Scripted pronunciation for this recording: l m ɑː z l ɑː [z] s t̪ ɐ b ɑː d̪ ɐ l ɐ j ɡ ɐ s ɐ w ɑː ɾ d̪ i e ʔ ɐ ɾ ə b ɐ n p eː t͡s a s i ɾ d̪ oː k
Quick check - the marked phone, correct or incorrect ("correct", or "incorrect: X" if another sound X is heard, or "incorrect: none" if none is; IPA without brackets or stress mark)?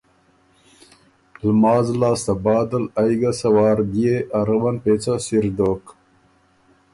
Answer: incorrect: none